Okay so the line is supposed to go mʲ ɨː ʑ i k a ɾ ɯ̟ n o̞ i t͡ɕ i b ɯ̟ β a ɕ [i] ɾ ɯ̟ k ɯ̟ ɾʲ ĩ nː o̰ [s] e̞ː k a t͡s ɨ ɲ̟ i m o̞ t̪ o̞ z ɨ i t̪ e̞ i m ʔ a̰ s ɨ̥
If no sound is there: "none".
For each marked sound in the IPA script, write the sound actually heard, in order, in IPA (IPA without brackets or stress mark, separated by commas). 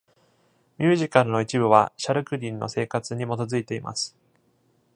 a, s